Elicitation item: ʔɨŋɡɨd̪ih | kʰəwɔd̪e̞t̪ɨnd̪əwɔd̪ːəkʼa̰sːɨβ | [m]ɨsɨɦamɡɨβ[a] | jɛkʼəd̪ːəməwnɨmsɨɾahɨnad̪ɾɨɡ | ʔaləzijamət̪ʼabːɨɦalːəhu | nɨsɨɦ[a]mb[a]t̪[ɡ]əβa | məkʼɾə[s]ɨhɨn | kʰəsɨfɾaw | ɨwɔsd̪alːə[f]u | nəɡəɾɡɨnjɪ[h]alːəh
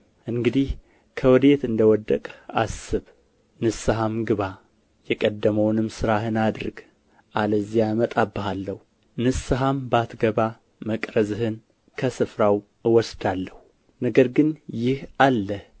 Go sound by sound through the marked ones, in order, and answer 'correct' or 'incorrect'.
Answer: incorrect, correct, correct, correct, correct, incorrect, incorrect, correct

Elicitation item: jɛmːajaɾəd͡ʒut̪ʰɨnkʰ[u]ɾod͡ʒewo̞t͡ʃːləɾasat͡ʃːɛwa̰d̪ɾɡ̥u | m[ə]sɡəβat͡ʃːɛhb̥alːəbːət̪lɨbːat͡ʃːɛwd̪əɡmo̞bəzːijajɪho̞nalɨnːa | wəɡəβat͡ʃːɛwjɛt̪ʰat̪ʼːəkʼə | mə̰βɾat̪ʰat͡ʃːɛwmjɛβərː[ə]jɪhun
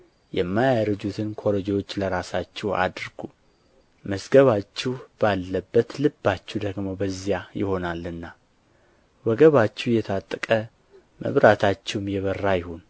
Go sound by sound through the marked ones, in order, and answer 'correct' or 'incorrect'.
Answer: incorrect, correct, incorrect

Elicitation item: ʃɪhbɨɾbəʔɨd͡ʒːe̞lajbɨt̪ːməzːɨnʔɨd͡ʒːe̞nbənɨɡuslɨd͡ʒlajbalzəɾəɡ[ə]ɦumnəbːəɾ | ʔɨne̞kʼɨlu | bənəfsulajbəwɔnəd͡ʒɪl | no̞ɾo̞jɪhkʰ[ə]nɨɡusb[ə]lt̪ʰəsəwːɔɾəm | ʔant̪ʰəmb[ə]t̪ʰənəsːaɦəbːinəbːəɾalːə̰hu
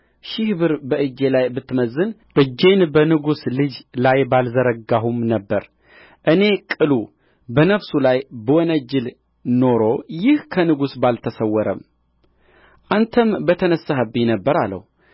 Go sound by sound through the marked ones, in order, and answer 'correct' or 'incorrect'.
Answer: incorrect, correct, incorrect, correct

